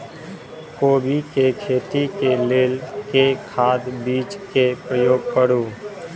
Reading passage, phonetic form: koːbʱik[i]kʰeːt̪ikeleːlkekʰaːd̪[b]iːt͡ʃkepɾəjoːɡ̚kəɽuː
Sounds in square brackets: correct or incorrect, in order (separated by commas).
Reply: incorrect, correct